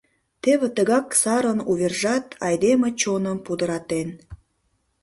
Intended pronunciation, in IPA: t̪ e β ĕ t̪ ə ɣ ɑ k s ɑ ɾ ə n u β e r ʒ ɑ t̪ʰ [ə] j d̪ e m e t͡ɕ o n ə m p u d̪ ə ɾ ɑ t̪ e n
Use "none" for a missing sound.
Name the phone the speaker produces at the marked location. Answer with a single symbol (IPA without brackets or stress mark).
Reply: ɑ